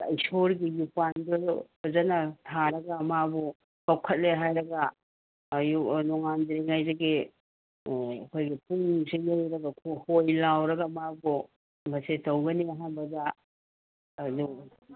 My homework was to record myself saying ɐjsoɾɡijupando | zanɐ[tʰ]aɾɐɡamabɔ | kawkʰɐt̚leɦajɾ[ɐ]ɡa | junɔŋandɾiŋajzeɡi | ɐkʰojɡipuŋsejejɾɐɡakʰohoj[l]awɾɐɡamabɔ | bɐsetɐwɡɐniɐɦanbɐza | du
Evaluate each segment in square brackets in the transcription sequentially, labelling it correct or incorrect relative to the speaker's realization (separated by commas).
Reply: correct, correct, correct